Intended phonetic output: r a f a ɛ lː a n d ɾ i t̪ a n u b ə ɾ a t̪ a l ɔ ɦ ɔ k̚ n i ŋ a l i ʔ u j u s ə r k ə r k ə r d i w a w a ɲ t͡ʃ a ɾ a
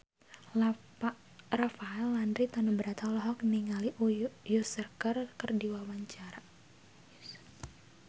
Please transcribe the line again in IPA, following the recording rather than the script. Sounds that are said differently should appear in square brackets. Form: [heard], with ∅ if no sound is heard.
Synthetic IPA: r a f a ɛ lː a n d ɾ i t̪ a n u b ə ɾ a t̪ a l ɔ ɦ ɔ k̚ n i ŋ a l i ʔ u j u s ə r k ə r k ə r d i w a w a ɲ t͡ʃ a ɾ a